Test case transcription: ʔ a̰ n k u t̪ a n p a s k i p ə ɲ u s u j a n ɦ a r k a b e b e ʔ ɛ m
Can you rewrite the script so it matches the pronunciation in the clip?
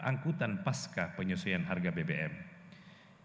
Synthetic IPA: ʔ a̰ ŋ k u t̪ a n p a s k a p ə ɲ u s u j a n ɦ a r ɡ a b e b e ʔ ɛ m